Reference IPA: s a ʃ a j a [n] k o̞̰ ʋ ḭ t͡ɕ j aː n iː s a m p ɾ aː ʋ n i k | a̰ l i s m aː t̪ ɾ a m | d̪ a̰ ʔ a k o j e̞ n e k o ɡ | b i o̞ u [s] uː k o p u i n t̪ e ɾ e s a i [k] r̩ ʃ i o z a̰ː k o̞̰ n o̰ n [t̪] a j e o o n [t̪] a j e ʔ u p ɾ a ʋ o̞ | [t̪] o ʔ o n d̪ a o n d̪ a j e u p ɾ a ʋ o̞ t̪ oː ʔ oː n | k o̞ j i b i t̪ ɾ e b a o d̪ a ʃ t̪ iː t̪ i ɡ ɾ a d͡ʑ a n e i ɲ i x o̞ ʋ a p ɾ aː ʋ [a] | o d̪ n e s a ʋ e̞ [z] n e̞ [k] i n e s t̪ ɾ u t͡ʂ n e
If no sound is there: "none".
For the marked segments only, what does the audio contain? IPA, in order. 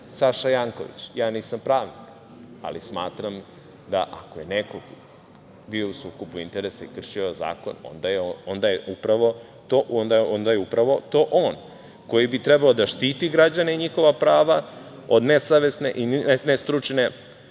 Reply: ŋ, s, k, d̪, d̪, t̪, a, s, ʔ

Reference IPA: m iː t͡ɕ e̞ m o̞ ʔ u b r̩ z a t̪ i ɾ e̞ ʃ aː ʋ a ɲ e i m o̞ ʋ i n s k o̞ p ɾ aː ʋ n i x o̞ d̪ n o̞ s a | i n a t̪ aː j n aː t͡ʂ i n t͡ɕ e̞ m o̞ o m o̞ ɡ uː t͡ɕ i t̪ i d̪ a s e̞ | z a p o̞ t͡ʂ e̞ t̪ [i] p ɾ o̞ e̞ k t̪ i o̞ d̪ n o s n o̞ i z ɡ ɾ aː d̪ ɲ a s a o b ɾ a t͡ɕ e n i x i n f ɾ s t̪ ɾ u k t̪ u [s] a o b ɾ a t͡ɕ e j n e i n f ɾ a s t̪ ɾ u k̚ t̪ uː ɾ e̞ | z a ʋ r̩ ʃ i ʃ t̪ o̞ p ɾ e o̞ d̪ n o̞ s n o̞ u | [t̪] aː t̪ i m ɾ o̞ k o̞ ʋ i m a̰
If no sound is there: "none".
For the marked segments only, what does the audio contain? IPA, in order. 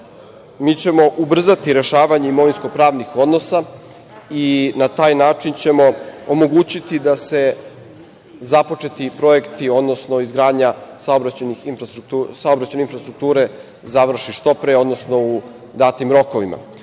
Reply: i, s, d̪

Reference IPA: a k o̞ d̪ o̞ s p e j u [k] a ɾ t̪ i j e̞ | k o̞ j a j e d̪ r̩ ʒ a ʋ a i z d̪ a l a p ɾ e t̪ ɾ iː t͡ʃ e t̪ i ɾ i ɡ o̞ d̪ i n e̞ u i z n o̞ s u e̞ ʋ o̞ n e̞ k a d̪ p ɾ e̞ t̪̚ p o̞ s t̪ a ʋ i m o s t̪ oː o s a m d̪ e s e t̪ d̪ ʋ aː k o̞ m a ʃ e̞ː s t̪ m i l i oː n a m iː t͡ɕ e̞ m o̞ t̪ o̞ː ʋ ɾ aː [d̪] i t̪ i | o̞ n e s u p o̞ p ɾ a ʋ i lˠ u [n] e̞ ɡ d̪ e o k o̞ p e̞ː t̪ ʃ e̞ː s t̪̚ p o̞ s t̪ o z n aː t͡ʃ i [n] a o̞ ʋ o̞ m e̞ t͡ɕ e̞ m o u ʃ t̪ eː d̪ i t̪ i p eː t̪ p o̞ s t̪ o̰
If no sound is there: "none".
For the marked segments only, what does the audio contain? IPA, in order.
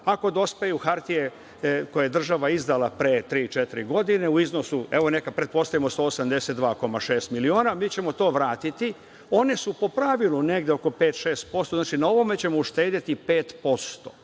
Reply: x, t̪, n, n

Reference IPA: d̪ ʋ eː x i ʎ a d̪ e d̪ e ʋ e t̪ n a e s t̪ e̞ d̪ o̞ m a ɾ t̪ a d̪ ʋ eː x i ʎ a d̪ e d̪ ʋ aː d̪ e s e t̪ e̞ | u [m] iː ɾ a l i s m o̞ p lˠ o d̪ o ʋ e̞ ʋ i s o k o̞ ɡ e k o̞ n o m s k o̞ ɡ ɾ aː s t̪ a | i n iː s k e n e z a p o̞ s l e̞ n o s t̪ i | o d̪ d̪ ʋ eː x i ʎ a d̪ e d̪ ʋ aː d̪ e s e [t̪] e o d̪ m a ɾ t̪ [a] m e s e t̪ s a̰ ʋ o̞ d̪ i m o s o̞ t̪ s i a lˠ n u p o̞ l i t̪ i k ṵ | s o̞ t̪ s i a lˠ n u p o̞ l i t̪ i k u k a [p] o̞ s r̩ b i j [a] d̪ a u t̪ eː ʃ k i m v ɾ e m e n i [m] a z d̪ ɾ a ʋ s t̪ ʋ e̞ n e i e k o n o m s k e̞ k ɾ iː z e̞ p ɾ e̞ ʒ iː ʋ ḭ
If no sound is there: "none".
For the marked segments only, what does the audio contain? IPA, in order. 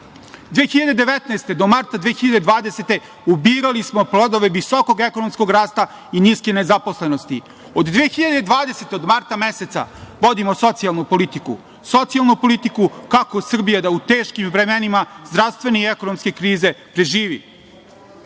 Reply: b, t̪, a, k, a, m

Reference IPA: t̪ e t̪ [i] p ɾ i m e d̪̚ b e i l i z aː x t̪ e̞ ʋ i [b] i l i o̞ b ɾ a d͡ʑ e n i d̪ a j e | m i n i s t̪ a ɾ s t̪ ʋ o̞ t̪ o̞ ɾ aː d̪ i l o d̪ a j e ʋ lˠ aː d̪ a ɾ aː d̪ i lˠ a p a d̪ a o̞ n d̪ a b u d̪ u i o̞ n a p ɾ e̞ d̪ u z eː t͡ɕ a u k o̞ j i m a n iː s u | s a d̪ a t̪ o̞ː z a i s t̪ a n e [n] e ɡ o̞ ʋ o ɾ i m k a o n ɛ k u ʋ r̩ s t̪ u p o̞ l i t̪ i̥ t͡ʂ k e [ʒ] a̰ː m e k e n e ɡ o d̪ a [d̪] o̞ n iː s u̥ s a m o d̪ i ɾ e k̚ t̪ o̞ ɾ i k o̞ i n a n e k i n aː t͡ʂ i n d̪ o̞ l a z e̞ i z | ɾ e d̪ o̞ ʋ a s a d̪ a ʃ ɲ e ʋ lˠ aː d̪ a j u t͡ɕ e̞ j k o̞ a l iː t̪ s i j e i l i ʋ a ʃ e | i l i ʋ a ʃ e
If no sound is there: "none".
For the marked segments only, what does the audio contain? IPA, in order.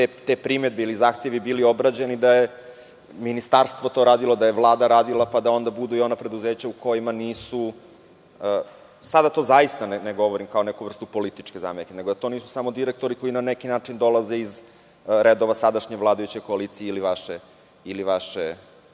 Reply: e, b, n, z, t̪

